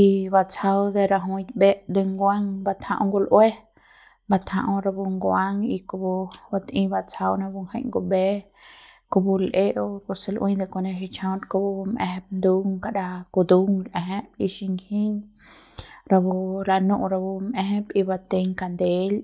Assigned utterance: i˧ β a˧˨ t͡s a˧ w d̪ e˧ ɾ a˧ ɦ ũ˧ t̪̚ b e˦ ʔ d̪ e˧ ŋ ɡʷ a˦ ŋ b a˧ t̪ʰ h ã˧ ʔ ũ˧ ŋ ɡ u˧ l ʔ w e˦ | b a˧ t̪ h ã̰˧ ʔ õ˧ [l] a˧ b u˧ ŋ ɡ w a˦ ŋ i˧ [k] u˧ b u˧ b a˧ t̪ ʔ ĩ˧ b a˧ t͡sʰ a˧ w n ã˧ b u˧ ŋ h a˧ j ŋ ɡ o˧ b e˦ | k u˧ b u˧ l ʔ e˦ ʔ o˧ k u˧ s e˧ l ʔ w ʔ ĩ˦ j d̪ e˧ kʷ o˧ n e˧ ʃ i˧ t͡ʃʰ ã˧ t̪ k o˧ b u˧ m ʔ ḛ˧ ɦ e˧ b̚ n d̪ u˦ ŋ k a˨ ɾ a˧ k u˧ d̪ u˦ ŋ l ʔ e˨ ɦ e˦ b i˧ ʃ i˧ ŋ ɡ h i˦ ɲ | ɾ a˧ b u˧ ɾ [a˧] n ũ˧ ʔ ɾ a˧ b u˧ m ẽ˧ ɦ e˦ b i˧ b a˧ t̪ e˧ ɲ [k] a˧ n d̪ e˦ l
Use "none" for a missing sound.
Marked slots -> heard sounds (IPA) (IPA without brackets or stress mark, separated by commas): ɾ, k, a˧, k